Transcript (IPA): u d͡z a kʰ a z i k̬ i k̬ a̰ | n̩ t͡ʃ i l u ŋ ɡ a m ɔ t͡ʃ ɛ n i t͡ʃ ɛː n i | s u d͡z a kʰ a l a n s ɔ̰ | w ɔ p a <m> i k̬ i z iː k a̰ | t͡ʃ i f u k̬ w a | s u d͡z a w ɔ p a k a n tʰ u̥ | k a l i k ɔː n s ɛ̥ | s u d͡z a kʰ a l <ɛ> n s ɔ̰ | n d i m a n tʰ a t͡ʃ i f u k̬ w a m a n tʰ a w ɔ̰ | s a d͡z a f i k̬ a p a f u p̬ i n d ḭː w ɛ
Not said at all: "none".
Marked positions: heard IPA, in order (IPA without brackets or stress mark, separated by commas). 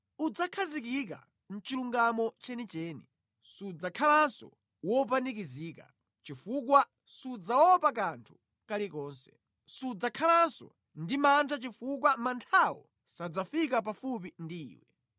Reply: n, a